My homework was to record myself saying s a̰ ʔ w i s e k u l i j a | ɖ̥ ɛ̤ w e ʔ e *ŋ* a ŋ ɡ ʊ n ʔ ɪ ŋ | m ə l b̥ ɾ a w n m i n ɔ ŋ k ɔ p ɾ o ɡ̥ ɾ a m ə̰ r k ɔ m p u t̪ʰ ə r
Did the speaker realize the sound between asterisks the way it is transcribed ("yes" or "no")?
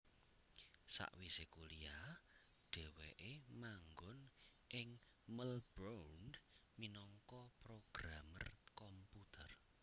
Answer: no